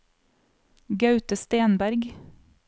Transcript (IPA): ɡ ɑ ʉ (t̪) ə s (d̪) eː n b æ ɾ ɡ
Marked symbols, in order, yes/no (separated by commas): yes, no